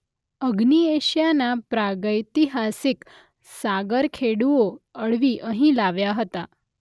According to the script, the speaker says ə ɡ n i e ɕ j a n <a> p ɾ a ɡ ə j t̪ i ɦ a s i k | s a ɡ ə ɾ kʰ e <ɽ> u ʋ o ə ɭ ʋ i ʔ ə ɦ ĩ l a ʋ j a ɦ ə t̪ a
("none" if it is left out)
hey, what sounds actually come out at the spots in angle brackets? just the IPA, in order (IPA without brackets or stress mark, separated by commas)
a, ɽ